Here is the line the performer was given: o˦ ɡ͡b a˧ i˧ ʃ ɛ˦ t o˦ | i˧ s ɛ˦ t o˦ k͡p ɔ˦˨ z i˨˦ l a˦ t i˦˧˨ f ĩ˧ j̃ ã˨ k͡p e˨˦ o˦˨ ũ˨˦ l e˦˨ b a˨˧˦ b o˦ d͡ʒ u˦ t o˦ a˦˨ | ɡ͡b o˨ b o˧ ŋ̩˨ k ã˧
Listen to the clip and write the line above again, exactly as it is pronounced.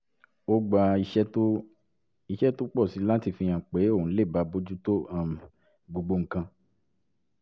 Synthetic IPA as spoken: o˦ ɡ͡b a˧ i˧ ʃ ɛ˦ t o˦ | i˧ ʃ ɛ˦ t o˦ k͡p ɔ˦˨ s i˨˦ l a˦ t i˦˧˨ f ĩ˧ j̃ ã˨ k͡p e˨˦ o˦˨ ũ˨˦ l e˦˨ b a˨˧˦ b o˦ d͡ʒ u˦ t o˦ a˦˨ | ɡ͡b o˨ ɡ͡b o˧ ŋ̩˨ k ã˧

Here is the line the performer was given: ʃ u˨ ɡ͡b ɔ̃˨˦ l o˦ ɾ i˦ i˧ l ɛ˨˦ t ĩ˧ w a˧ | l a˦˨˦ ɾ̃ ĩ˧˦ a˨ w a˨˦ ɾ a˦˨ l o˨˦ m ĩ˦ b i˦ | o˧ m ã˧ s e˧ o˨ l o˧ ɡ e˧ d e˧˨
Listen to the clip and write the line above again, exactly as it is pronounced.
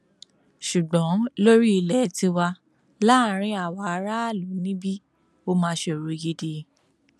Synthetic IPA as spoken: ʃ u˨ ɡ͡b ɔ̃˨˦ l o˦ ɾ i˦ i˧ l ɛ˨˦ t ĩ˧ w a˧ | l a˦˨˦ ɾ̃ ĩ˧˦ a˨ w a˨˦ ɾ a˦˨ l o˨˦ n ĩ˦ b i˦ | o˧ m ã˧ ʃ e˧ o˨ ɾ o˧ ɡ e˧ d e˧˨

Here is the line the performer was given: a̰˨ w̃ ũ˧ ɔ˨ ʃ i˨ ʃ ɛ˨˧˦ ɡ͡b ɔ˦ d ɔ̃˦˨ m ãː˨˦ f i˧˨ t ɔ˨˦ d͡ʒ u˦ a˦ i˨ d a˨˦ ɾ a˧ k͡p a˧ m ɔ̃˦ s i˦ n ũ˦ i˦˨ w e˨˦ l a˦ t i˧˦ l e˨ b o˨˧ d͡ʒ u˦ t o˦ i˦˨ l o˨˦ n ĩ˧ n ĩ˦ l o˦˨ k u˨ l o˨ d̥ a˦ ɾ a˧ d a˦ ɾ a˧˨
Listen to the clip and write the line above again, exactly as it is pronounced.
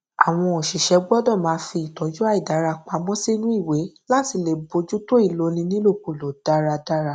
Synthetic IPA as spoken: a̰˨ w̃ ɔ̃˧ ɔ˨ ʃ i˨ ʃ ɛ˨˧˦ ɡ͡b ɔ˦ d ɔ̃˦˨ m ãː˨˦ f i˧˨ t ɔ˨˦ d͡ʒ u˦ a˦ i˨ d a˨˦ ɾ a˧ k͡p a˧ m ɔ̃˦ s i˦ n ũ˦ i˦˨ w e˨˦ l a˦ t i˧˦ l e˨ b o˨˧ d͡ʒ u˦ t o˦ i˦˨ l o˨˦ n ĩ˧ n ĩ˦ l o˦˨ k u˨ l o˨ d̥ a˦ ɾ a˧ d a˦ ɾ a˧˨

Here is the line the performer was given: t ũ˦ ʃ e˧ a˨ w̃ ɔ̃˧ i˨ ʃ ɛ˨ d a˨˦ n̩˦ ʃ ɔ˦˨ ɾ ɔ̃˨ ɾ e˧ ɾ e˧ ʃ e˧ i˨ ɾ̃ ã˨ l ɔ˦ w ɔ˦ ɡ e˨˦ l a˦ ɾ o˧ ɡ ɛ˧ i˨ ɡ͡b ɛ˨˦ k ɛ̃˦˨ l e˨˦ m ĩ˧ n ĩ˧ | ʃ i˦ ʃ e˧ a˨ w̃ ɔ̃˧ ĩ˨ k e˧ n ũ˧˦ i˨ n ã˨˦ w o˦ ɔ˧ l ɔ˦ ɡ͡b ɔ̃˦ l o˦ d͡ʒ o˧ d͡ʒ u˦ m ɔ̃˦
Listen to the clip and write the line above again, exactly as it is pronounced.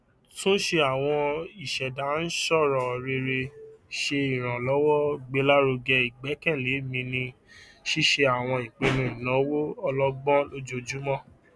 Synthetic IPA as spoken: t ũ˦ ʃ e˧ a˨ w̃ ɔ̃˧ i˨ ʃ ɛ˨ d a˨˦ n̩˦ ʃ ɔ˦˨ ɾ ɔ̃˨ ɾ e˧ ɾ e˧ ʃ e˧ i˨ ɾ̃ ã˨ l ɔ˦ w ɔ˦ ɡ͡b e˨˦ l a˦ ɾ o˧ ɡ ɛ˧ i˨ ɡ͡b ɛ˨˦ k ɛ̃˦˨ l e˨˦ m ĩ˧ n ĩ˧ | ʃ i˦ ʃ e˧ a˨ w̃ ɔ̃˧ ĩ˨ k͡p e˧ n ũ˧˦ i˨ n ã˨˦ w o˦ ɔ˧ l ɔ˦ ɡ͡b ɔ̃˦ l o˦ d͡ʒ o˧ d͡ʒ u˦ m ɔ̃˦

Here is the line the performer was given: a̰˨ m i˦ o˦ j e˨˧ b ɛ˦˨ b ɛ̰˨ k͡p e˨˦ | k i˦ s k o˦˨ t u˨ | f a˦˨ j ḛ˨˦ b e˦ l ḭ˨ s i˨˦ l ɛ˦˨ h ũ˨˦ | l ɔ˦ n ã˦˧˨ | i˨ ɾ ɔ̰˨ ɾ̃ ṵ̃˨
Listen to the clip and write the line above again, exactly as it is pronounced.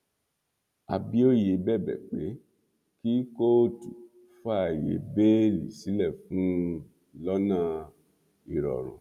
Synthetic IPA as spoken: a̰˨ b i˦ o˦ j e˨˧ b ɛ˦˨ b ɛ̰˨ k͡p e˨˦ | k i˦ k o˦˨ t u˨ | f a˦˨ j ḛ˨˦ b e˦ l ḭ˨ s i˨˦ l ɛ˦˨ f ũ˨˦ | l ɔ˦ n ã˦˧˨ | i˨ ɾ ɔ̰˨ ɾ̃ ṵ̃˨

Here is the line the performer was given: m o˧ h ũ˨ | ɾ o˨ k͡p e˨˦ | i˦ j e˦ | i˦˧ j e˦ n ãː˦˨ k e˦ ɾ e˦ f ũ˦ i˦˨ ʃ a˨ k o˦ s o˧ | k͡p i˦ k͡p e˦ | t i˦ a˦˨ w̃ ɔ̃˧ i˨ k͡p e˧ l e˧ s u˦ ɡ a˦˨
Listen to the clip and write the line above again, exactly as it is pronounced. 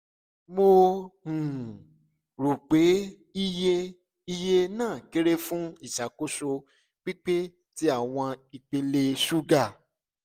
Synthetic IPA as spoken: m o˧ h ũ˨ | ɾ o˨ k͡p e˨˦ | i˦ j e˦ | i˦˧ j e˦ n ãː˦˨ k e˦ ɾ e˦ f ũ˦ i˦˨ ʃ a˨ k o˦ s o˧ | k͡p i˦ k͡p e˦ | t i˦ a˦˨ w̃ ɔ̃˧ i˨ k͡p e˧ l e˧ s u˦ ɡ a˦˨

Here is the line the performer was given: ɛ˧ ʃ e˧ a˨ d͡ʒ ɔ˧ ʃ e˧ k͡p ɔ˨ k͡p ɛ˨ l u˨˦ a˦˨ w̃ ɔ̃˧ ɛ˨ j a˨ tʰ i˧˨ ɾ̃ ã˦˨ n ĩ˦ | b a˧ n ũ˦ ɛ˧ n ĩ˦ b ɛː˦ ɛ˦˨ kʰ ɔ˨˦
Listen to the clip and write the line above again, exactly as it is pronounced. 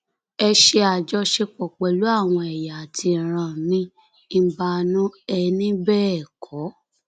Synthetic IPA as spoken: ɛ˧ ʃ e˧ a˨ d͡ʒ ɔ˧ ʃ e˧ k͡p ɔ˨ k͡p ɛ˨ l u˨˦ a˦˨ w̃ ɔ̃˧ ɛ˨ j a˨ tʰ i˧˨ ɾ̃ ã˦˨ n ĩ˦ | b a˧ n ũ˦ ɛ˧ n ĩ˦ b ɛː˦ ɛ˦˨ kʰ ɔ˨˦

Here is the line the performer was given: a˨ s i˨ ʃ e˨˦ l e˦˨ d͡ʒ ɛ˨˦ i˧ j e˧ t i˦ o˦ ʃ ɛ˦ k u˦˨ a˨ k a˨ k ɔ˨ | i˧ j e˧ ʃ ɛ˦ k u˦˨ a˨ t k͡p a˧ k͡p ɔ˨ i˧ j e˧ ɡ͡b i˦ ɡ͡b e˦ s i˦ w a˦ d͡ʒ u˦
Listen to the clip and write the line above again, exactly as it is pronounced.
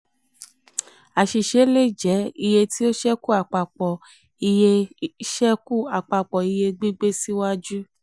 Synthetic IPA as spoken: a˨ ʃ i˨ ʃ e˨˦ l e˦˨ d͡ʒ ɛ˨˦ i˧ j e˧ t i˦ o˦ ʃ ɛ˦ k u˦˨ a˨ k͡p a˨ k͡p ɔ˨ | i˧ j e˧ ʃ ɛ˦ k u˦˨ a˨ k͡p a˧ k͡p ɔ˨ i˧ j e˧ ɡ͡b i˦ ɡ͡b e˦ s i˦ w a˦ d͡ʒ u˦

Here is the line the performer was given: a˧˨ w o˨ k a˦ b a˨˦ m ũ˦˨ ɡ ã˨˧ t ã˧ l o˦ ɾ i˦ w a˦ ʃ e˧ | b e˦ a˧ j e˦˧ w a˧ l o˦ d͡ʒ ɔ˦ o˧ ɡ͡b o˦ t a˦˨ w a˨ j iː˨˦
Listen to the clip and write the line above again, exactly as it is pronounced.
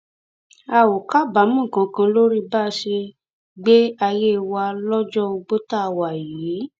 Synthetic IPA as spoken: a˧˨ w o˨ k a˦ b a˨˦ m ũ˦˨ k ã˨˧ k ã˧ l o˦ ɾ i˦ b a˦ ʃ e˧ | ɡ͡b e˦ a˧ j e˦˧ w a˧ l ɔ˦ d͡ʒ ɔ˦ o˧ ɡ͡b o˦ t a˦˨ w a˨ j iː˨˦

